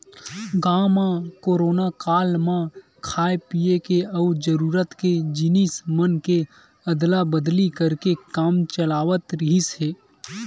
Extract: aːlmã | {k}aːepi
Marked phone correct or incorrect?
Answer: incorrect